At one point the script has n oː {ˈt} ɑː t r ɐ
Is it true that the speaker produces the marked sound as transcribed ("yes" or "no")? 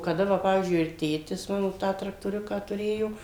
yes